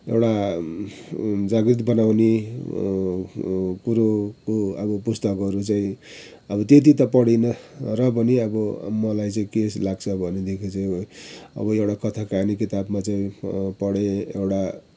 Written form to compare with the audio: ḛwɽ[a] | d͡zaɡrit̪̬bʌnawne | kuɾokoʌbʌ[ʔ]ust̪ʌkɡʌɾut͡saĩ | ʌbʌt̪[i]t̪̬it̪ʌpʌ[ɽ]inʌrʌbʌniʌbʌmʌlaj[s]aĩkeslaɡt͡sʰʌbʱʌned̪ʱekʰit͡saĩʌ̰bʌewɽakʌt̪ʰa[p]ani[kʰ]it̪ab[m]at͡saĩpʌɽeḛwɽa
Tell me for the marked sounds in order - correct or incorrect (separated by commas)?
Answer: correct, incorrect, incorrect, correct, incorrect, incorrect, incorrect, correct